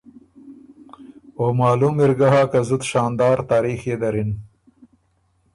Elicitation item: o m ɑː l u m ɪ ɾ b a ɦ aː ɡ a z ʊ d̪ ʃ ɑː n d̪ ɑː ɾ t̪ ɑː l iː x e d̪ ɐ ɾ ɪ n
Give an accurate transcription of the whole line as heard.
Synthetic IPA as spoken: o m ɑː l u m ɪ ɾ ɡ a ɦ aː k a z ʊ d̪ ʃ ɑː n d̪ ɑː ɾ t̪ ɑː ɾ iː x e d̪ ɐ ɾ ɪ n